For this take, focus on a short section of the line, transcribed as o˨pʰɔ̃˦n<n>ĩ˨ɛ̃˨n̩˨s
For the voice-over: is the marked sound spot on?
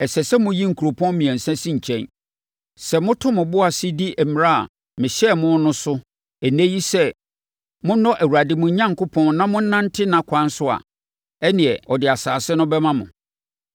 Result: no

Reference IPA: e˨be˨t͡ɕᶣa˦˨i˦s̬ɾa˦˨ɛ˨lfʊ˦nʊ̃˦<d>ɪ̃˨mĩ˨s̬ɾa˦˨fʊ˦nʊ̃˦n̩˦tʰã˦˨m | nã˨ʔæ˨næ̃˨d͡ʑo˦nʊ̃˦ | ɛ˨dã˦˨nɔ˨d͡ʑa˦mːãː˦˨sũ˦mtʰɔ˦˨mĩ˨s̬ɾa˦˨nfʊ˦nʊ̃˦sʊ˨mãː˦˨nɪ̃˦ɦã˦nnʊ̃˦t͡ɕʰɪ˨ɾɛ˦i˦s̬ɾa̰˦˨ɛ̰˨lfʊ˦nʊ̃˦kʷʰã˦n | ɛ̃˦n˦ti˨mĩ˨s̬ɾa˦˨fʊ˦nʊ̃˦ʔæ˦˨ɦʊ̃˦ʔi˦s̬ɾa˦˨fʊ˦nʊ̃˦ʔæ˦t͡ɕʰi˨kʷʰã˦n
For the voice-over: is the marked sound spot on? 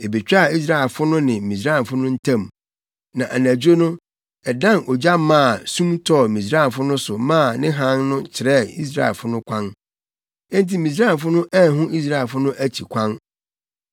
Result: no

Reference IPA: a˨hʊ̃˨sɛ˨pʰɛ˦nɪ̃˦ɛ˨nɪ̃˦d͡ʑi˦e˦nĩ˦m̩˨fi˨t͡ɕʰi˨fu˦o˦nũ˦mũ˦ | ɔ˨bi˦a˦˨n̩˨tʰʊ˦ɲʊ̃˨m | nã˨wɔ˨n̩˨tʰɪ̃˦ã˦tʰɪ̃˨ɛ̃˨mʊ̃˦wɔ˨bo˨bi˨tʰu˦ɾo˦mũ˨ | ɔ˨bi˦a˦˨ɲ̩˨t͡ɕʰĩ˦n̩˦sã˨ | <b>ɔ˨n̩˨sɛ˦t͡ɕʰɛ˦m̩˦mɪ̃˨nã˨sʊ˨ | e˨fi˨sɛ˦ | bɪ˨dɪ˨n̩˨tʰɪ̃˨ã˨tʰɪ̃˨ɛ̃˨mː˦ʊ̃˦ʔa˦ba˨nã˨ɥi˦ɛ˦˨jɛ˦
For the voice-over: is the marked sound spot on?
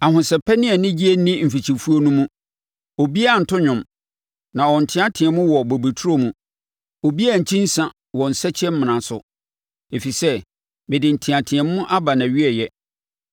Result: no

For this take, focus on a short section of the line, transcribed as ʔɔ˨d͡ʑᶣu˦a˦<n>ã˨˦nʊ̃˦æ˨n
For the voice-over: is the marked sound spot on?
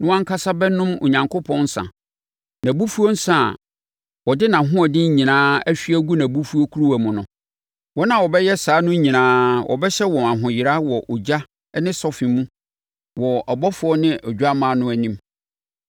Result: no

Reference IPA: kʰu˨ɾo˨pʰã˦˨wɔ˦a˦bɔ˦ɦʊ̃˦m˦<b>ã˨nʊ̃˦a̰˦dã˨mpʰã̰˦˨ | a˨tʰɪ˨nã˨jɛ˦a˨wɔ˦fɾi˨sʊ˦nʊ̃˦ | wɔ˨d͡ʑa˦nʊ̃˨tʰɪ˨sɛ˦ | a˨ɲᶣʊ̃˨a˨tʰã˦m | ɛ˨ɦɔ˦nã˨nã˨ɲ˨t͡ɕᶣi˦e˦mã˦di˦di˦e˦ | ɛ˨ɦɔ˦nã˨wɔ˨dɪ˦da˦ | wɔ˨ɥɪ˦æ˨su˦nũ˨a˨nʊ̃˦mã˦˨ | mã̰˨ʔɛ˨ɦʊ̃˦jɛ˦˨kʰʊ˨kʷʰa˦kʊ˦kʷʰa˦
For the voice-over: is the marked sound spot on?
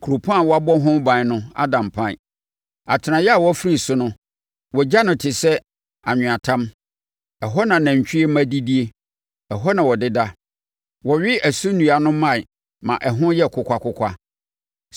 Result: yes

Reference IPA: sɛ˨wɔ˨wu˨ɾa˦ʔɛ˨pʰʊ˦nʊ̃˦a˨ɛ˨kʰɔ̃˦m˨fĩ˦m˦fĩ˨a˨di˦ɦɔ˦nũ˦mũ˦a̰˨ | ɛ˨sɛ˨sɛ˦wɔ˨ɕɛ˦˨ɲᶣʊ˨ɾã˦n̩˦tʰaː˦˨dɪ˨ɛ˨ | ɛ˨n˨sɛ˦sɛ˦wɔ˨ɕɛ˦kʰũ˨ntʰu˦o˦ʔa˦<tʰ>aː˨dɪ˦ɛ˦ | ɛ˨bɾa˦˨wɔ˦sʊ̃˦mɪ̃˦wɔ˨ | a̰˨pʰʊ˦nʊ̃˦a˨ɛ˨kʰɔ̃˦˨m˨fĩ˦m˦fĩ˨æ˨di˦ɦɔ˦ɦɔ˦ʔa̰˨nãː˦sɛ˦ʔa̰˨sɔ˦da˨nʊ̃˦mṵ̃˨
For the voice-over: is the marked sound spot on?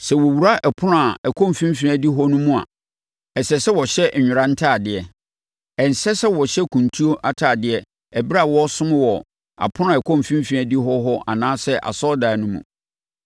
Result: yes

